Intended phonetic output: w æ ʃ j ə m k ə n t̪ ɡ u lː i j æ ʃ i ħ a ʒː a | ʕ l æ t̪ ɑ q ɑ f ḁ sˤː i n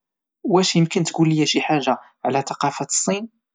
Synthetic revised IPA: w æ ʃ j ə m k ə n t̪ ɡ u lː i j æ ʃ i ħ a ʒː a | ʕ l æ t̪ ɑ q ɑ f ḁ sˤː i n